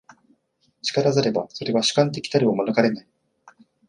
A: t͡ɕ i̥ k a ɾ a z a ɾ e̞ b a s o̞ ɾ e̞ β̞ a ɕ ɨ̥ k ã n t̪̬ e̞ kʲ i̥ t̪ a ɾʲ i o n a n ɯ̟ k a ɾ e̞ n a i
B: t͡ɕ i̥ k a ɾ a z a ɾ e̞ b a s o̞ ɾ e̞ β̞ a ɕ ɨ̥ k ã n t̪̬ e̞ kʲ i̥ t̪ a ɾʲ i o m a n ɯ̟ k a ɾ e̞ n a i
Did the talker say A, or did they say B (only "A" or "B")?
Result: B